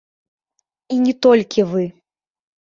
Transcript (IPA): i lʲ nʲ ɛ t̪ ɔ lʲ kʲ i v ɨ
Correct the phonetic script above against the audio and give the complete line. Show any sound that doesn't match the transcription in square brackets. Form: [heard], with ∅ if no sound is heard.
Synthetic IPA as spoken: i [∅] nʲ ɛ t̪ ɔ lʲ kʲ i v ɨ